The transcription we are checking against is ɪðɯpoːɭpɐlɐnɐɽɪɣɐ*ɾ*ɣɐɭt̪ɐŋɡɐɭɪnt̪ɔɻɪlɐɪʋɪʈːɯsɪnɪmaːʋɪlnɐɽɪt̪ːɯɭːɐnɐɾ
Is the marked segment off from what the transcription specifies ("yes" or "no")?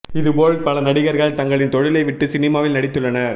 no